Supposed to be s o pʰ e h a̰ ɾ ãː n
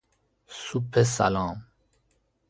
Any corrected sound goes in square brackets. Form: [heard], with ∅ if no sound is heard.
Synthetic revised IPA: s [u] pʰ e [s] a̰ [l] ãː [m]